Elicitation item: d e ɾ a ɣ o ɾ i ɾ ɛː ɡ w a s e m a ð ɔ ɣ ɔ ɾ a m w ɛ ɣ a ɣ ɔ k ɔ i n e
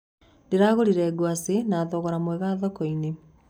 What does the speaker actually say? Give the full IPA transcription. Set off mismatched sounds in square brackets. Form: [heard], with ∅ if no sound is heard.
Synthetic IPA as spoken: d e ɾ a ɣ o ɾ i ɾ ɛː ɡ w a s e [n] a ð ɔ ɣ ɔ ɾ a m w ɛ ɣ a [ð] ɔ k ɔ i n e